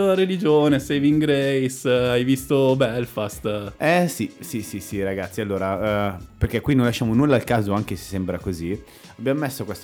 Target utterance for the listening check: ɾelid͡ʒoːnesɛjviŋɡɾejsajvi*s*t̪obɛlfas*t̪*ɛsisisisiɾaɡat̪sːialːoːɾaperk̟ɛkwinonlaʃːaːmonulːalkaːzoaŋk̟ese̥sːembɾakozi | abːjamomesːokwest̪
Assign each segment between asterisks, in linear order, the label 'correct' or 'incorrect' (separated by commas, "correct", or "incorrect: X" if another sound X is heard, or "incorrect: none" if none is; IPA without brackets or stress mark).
correct, correct